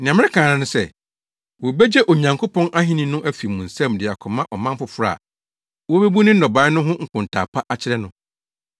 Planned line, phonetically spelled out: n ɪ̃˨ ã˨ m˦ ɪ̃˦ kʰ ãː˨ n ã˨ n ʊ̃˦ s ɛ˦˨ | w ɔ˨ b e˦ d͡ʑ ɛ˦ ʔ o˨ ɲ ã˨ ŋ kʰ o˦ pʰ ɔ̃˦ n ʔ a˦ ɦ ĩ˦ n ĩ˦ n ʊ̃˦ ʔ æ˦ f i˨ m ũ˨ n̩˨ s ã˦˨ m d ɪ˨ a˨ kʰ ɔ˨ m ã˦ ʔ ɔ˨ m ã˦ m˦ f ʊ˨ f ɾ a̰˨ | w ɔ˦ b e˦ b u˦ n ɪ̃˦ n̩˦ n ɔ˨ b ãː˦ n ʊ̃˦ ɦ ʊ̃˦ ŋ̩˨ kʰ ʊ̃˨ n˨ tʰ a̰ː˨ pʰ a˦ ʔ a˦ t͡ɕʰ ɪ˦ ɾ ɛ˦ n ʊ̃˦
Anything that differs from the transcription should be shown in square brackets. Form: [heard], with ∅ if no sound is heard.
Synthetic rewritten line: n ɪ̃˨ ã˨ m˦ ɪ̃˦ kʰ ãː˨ n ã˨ n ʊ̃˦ s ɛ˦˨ | w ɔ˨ b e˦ d͡ʑ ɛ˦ ʔ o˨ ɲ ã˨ ŋ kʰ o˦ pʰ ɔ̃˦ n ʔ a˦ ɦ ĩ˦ n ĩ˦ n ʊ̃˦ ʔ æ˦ f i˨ m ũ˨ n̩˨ s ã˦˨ m d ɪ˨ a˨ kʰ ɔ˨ m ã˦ ʔ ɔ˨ m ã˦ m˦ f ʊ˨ f ɾ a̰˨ | w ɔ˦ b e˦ b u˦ n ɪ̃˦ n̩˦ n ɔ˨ b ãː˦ n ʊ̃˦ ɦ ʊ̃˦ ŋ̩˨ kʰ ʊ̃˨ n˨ tʰ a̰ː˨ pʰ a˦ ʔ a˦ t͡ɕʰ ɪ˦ ɾ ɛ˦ n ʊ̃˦